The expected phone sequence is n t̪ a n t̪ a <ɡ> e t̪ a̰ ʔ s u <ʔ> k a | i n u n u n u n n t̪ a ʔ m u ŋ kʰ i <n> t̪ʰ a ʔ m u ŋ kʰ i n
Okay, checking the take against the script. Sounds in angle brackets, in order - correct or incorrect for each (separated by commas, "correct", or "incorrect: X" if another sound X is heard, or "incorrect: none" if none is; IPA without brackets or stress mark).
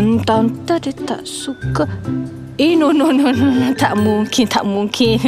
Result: incorrect: d, incorrect: none, correct